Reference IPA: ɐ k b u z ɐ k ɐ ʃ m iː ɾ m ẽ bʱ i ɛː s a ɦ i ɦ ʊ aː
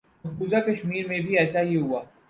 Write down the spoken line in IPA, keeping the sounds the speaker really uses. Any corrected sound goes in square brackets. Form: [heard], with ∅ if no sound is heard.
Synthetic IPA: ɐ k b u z [a] k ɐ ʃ m iː ɾ m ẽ bʱ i ɛː s a ɦ i ɦ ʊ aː